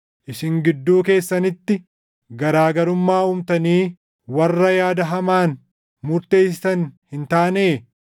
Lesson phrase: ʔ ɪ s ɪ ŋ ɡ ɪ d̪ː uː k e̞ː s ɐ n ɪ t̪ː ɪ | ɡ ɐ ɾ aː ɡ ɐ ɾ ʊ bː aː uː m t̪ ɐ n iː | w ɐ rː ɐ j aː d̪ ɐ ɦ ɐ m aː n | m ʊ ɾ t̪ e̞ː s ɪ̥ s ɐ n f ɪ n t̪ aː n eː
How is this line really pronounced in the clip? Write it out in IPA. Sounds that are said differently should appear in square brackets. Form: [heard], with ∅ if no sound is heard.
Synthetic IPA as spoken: ʔ ɪ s ɪ ŋ ɡ ɪ d̪ː uː k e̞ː [sː] ɐ n ɪ t̪ː ɪ | ɡ ɐ ɾ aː ɡ ɐ ɾ ʊ [mː] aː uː m t̪ ɐ n iː | w ɐ rː ɐ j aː d̪ ɐ ɦ ɐ m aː n | m ʊ ɾ t̪ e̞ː s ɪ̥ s ɐ n [h] ɪ n t̪ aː n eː